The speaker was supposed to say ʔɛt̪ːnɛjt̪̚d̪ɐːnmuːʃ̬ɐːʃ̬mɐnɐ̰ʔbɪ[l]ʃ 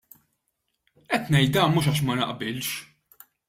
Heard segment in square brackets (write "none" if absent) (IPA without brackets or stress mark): l